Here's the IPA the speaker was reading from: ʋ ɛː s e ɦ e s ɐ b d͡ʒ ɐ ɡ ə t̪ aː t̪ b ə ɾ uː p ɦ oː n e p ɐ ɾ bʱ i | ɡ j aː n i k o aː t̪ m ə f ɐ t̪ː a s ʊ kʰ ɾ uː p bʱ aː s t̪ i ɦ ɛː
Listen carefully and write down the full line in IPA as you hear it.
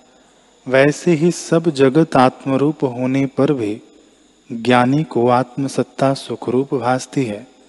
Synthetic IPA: ʋ ɛː s e ɦ i s ɐ b d͡ʒ ɐ ɡ ə t̪ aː t̪ m ə ɾ uː p ɦ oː n e p ɐ ɾ bʱ i | ɡ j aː n i k o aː t̪ m ə s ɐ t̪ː a s ʊ kʰ ɾ uː p bʱ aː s t̪ i ɦ ɛː